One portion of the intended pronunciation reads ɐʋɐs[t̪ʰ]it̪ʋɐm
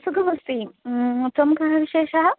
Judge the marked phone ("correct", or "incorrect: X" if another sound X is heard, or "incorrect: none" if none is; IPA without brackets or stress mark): incorrect: t̪